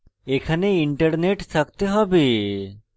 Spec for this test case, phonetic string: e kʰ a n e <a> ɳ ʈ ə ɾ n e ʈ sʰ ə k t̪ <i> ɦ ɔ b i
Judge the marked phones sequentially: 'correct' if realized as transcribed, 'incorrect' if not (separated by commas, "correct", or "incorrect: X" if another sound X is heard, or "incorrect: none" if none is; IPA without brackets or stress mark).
incorrect: i, incorrect: e